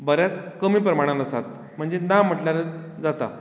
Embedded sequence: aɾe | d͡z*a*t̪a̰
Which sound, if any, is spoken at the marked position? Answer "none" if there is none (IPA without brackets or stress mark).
a